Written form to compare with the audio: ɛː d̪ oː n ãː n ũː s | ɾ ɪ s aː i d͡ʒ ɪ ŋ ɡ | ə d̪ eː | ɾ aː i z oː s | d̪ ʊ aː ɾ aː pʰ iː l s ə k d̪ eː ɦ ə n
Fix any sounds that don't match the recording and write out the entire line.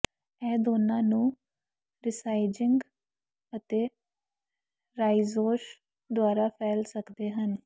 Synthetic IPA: ɛː d̪ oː n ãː n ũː | ɾ ɪ s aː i d͡ʒ ɪ ŋ ɡ | ə t̪ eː | ɾ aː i z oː ʃ | d̪ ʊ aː ɾ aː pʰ ɛː l s ə k d̪ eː ɦ ə n